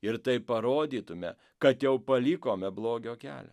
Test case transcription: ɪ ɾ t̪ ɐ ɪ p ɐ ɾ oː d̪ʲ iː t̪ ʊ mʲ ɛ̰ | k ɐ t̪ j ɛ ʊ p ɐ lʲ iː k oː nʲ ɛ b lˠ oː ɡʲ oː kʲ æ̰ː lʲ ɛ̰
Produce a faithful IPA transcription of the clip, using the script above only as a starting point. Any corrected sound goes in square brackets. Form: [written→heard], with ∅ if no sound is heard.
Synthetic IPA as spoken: ɪ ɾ t̪ ɐ ɪ p ɐ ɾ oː d̪ʲ iː t̪ ʊ mʲ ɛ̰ | k ɐ t̪ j ɛ ʊ p ɐ lʲ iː k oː [nʲ→mʲ] ɛ b lˠ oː ɡʲ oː kʲ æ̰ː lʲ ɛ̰